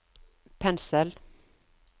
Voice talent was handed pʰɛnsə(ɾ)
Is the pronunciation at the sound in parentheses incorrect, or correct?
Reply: incorrect